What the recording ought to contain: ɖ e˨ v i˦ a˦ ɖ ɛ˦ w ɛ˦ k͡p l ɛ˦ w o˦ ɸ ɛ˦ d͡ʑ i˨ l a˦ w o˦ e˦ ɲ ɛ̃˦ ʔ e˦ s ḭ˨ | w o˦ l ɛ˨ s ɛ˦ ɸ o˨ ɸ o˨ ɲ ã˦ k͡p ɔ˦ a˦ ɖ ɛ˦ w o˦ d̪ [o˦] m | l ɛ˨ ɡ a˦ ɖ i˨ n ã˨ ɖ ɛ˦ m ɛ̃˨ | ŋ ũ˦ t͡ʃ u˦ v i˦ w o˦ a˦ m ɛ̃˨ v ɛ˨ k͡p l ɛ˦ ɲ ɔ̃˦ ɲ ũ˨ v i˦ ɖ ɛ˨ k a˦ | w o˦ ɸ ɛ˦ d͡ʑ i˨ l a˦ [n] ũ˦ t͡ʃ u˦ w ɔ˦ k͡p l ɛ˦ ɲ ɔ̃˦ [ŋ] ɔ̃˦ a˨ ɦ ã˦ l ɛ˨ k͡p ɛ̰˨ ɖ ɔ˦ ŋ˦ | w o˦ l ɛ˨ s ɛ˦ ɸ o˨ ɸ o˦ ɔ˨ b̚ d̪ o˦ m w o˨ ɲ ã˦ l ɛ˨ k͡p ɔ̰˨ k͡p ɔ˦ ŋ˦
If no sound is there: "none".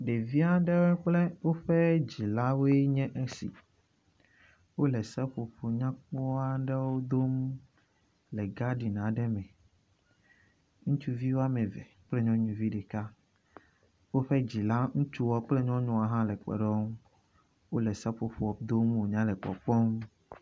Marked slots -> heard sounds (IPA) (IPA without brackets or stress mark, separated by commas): o˦, ŋ, ɲ